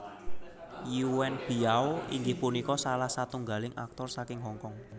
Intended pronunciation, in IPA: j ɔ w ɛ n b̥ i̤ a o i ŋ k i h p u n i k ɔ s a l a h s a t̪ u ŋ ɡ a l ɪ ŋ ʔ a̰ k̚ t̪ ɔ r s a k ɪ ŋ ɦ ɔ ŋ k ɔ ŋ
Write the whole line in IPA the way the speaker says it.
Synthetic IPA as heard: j u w ɛ n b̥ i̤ a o i ŋ ɡ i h p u n i k ɔ s a l a h s a t̪ u ŋ ɡ a l ɪ ŋ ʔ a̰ k̚ t̪ ɔ r s a k ɪ ŋ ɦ ɔ ŋ k ɔ ŋ